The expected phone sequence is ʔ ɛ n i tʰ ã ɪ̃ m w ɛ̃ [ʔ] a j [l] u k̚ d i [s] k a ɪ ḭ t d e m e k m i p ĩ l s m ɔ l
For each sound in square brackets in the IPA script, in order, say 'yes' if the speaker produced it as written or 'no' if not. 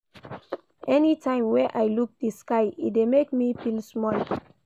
yes, yes, yes

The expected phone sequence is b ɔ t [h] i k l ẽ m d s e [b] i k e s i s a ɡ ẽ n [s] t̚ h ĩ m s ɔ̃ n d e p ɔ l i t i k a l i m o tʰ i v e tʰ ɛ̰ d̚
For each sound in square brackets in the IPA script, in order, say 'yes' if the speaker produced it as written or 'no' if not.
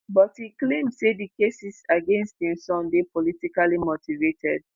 yes, no, yes

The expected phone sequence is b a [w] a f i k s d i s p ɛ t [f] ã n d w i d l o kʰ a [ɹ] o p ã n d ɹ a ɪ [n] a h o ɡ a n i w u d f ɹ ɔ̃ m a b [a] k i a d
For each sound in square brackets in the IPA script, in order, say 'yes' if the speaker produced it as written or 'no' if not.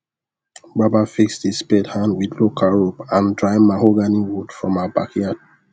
no, no, yes, no, yes

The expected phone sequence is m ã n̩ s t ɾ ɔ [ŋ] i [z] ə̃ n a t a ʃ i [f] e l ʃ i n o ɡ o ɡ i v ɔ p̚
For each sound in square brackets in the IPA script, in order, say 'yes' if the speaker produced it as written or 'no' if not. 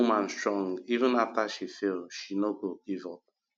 yes, no, yes

